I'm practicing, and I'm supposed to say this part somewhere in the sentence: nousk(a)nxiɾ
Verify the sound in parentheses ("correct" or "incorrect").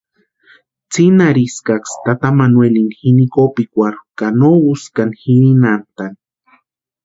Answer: correct